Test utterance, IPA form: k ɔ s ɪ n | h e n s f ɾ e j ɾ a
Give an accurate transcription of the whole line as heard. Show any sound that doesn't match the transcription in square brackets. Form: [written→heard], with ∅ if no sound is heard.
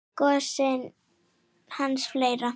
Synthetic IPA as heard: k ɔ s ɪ n | h [e→a] n s f [ɾ→l] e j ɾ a